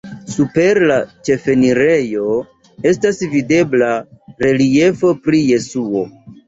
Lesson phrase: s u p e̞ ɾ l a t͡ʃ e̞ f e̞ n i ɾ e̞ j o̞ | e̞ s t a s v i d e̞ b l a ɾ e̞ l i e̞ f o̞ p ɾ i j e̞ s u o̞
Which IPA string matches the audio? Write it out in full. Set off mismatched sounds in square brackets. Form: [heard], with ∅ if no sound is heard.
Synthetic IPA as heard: s u p e̞ ɾ l a t͡ʃ e̞ f e̞ n i ɾ e̞ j o̞ | e̞ s t a s v i d e̞ b l a ɾ e̞ l i e̞ f o̞ p ɾ i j e̞ s u o̞